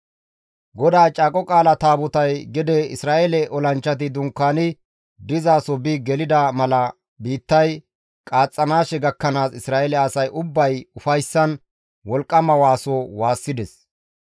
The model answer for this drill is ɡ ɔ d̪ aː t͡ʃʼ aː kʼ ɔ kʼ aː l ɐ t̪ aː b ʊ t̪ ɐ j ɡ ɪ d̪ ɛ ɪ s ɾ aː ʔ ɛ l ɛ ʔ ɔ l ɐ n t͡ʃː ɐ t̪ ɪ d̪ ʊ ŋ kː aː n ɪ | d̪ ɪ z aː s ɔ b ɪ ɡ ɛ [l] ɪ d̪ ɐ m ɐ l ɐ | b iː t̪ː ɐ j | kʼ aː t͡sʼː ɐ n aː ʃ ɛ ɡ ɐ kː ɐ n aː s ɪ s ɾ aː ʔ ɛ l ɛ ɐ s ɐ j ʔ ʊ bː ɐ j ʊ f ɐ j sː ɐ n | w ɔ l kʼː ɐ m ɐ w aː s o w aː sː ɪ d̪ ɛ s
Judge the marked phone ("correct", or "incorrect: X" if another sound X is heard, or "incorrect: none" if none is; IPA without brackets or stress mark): correct